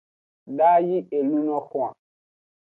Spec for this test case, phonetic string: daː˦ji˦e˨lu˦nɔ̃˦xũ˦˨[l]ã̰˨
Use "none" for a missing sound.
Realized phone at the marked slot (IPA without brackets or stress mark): none